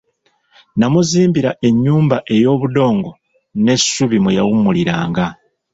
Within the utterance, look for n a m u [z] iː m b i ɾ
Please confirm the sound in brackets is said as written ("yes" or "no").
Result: yes